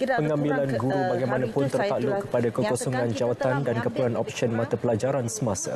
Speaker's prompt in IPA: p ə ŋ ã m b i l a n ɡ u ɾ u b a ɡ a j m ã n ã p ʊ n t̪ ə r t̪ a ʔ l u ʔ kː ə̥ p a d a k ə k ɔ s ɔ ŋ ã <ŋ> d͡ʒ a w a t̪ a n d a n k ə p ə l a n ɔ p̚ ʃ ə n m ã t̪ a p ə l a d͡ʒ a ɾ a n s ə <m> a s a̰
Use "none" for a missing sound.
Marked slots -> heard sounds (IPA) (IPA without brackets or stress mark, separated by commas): n, m